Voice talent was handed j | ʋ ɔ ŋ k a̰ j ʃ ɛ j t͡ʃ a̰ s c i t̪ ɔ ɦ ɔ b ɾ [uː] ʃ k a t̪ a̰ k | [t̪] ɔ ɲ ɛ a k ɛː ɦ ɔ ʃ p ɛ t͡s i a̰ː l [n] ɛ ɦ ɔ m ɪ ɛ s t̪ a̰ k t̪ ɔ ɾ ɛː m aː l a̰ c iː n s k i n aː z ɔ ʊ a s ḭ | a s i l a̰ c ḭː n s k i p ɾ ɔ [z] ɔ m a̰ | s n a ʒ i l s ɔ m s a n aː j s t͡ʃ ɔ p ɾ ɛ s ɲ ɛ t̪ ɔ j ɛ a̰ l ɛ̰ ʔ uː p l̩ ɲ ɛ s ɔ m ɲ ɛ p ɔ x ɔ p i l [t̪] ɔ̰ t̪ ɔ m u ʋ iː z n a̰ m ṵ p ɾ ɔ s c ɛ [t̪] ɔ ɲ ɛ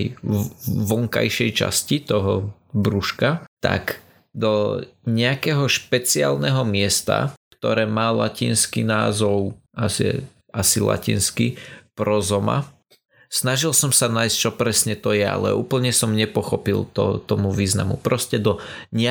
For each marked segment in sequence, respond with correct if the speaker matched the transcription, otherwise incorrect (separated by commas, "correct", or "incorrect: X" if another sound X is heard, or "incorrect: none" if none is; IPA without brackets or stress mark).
incorrect: u, incorrect: d̪, correct, correct, correct, incorrect: d̪